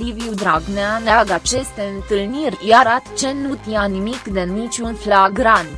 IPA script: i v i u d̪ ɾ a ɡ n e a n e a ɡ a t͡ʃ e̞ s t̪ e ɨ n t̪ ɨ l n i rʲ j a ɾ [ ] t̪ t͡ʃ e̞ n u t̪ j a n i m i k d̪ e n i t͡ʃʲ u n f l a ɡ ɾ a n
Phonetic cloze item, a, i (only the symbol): a